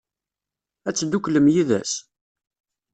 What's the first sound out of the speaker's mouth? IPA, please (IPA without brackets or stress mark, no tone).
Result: æ